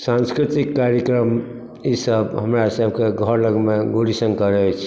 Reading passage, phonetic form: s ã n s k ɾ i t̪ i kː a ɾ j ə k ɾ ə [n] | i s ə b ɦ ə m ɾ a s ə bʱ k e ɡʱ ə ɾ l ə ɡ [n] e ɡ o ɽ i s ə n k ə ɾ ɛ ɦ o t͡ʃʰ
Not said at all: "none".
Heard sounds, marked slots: m, m

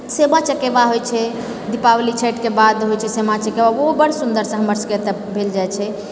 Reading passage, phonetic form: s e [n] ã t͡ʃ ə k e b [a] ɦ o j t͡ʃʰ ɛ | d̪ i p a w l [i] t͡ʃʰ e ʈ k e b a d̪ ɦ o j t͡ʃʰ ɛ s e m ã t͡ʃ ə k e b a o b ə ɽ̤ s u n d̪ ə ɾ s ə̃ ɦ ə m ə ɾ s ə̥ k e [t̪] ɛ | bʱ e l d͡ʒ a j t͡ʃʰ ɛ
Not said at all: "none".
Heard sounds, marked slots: m, a, i, t̪

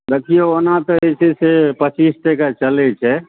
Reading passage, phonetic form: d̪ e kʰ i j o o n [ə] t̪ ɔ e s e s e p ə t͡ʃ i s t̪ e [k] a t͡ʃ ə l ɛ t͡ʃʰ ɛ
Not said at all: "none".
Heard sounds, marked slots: a, k

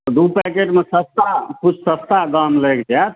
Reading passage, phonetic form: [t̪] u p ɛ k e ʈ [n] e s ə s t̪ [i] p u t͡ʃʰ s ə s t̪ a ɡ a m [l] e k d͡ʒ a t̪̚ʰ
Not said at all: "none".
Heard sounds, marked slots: d̪, m, a, l

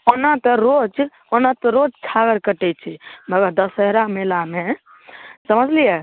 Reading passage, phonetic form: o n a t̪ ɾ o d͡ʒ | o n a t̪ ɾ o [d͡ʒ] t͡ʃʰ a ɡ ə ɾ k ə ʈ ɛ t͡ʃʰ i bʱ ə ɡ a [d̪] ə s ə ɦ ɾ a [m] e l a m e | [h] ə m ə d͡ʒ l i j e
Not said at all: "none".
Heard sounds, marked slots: d͡ʒ, d̪, m, s

